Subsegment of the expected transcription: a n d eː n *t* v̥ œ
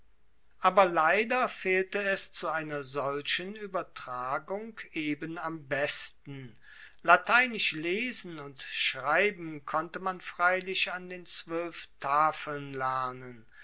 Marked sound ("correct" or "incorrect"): incorrect